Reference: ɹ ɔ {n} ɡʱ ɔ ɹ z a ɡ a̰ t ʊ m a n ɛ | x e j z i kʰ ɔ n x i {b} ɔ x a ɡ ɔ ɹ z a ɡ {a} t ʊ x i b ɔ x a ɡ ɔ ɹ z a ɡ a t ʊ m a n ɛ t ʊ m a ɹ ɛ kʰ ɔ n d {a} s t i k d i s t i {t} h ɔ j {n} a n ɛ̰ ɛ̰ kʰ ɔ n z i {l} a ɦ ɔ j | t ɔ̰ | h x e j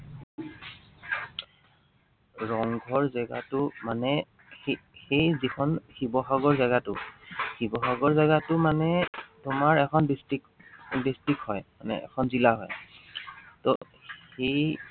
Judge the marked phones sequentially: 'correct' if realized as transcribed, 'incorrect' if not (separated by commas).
incorrect, correct, correct, incorrect, incorrect, incorrect, correct